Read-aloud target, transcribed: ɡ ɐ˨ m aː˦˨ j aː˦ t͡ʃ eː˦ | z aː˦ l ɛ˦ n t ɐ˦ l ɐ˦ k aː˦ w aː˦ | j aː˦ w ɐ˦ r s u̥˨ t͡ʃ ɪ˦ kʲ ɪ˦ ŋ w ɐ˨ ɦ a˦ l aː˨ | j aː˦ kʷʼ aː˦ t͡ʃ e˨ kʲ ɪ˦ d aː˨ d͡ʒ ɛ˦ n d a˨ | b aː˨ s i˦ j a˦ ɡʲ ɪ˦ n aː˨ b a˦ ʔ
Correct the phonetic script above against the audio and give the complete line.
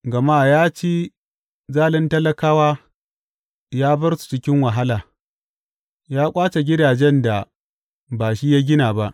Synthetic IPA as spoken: ɡ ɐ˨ m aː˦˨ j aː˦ t͡ʃ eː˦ | z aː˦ l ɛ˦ n t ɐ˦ l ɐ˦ k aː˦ w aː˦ | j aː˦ b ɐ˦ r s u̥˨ t͡ʃ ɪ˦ kʲ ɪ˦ ŋ w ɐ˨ ɦ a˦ l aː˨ | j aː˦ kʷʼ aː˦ t͡ʃ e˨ ɡʲ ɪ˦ d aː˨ d͡ʒ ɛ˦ n d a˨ | b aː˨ ʃ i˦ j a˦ ɡʲ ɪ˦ n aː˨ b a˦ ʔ